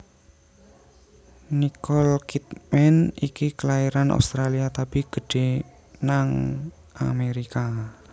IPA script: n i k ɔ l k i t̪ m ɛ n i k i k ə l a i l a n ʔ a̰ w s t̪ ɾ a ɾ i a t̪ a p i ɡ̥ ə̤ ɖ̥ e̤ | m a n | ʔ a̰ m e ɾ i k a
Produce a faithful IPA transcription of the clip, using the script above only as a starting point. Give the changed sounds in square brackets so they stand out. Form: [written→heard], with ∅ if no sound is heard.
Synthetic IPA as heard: n i k ɔ l k i t̪ m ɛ n i k i k ə l a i [l→ɾ] a n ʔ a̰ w s t̪ ɾ a [ɾ→l] i a t̪ a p i ɡ̥ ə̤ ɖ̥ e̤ | [m→n] a [n→ŋ] | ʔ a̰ m e ɾ i k a